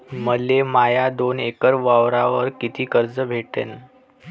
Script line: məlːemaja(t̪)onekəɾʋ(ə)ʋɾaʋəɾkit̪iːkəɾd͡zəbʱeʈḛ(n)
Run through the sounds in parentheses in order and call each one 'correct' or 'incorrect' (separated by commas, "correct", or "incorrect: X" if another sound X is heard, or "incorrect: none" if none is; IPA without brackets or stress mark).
incorrect: d̪, incorrect: a, correct